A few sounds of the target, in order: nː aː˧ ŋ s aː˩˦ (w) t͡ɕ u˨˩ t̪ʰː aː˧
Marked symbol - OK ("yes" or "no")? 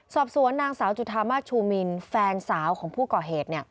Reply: yes